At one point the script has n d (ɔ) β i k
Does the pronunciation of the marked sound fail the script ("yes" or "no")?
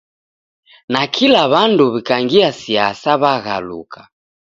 yes